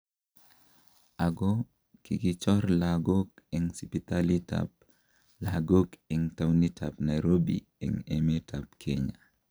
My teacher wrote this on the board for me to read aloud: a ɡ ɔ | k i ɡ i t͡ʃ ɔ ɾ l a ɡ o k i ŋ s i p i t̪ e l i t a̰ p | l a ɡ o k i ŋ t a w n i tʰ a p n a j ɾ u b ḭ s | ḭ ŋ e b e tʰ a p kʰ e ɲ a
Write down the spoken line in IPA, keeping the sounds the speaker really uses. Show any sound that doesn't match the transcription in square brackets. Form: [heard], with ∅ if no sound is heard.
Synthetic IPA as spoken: a ɡ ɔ | k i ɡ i t͡ʃ ɔ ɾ l a ɡ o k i ŋ s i p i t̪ [a] l i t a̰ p | l a ɡ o k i ŋ t a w n i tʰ a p n a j ɾ [o] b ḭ [∅] | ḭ ŋ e [m] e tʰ a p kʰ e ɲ a

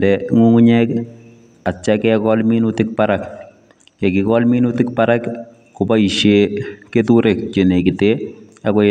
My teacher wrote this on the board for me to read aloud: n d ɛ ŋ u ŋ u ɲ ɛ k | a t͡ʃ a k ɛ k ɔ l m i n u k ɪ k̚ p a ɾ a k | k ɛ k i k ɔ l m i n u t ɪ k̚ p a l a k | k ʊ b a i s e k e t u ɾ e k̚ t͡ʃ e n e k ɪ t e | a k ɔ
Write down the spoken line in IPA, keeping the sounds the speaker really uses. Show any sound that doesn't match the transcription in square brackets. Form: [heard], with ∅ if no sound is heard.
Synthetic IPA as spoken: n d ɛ ŋ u ŋ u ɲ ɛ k | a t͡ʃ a k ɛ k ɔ l m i n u [t] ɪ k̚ p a ɾ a k | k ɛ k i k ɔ l m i n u t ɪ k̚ p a [ɾ] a k | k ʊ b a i [ʃ] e k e t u ɾ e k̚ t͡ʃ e n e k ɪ t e | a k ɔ

